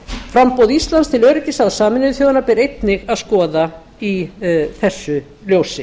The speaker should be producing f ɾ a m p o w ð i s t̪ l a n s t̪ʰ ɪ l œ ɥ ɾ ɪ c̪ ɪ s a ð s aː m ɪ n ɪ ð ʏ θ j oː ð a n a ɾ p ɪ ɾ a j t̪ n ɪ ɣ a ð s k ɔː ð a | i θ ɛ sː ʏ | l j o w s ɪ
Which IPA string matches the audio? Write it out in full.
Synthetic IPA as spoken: f ɾ a m p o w ð i s t̪ l a n s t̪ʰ ɪ l œ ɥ ɾ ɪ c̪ ɪ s a ð s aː m ɪ n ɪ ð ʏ θ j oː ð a n a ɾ p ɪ ɾ e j t̪ n ɪ ɣ a ð s k ɔː ð a | i θ ɛ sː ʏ | l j o w s ɪ